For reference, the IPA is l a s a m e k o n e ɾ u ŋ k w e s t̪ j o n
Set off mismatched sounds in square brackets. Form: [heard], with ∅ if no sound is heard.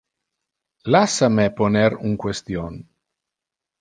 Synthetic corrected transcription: l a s a m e [p] o n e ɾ u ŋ k w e s t̪ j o n